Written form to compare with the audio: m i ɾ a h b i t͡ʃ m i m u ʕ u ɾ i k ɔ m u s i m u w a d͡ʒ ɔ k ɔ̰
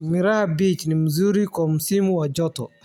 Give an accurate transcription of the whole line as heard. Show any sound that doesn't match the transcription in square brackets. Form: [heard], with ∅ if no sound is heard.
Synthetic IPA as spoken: m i ɾ a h b i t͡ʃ [n] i m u [z] u ɾ i k ɔ m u s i m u w a d͡ʒ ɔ [t] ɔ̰